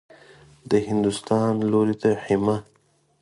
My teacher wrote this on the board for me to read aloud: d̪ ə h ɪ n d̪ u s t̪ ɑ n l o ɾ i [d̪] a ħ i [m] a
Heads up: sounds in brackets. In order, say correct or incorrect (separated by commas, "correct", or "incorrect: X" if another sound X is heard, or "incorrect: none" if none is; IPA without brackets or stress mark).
incorrect: t̪, correct